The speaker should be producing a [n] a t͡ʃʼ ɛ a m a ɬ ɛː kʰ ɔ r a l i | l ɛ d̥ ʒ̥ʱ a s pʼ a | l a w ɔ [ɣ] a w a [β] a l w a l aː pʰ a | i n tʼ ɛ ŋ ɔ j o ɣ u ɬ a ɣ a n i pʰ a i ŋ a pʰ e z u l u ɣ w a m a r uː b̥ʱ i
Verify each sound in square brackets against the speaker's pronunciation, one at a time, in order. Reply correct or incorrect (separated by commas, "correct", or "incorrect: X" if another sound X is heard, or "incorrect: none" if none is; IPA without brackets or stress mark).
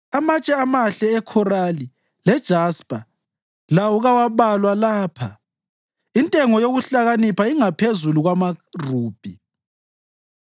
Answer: incorrect: m, correct, correct